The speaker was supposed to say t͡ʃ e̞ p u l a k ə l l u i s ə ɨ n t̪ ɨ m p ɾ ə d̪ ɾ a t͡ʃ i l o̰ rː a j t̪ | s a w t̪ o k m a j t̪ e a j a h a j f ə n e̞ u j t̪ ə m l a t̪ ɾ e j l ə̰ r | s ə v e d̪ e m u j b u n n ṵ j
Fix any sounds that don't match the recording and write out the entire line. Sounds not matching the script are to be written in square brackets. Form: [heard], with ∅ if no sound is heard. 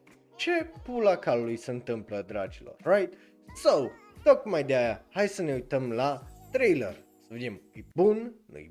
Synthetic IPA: t͡ʃ e̞ p u l a k [a] l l u [j] s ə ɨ n t̪ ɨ m p [l] ə d̪ ɾ a t͡ʃ i l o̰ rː a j t̪ | s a w t̪ o k m a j [d̪] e a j a h a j [s] ə n e̞ u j t̪ ə m l a t̪ ɾ e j l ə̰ r | s ə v e d̪ e m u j b u n n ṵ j